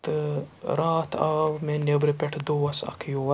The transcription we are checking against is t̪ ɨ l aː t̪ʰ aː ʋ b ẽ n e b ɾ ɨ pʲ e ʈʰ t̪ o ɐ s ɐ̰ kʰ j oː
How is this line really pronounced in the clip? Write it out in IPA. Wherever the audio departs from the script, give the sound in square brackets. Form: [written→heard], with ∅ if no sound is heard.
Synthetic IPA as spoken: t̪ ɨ [l→ɾ] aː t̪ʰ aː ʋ [b→m] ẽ n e b ɾ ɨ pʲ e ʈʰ [t̪→d̪] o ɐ s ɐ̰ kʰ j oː